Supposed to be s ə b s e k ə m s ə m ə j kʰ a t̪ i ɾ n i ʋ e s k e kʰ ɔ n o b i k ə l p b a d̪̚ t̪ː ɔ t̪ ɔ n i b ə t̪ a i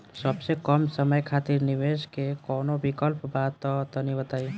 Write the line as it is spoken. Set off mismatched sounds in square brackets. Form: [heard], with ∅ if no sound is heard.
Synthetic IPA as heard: s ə b s e k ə m s ə m ə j kʰ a t̪ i ɾ n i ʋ e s k e [k] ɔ n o b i k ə l p b a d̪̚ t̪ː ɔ t̪ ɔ n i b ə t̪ a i